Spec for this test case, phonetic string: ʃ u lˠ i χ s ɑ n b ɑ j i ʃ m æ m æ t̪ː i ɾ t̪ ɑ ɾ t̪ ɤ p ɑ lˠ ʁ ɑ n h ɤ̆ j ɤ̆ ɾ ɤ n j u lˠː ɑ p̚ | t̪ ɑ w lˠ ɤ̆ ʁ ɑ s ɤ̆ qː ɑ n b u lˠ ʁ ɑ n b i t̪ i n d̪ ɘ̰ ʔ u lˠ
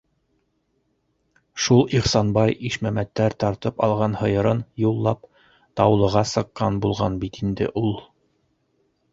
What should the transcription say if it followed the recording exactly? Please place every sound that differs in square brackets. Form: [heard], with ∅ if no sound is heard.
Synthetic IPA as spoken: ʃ u lˠ i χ s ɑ n b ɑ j i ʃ m æ m æ t̪ː [æ] ɾ t̪ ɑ ɾ t̪ ɤ p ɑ lˠ ʁ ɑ n h ɤ̆ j ɤ̆ ɾ ɤ n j u lˠː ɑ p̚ | t̪ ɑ w lˠ ɤ̆ ʁ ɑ s ɤ̆ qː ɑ n b u lˠ ʁ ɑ n b i t̪ i n d̪ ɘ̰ ʔ u lˠ

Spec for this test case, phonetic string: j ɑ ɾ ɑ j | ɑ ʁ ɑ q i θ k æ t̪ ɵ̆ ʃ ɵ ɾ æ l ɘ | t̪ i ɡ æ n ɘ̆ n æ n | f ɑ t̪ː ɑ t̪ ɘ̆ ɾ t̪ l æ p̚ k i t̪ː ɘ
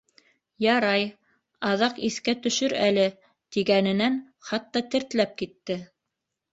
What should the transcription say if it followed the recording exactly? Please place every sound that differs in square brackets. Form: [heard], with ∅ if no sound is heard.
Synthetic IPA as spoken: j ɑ ɾ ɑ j | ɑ [ð] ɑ q i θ k æ t̪ ɵ̆ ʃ ɵ ɾ æ l ɘ | t̪ i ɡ æ n ɘ̆ n æ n | [χ] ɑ t̪ː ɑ t̪ ɘ̆ ɾ t̪ l æ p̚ k i t̪ː ɘ

